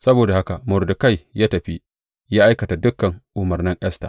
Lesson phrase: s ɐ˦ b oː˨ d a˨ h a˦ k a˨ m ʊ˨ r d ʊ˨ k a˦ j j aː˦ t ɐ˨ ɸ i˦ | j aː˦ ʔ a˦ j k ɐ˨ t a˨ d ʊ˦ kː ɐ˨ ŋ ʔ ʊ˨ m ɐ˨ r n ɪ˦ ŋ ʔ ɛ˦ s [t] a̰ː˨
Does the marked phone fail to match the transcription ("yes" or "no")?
no